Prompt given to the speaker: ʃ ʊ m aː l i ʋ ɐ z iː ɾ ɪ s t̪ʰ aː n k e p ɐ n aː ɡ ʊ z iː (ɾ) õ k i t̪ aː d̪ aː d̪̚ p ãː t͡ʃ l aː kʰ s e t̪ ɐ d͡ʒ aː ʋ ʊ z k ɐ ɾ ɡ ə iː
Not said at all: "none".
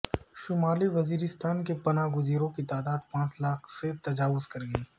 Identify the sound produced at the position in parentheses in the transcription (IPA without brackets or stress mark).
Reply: ɾ